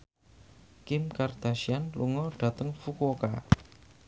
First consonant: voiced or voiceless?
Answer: voiceless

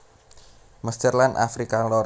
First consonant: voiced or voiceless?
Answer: voiced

